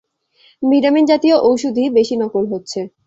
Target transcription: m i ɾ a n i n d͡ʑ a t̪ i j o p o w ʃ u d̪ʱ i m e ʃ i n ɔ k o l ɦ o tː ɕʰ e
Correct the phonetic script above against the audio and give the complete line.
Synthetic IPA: m i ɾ a m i n d͡ʑ a t̪ i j o ʔ o w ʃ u d̪ʱ i b e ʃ i n ɔ k o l ɦ o tː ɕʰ e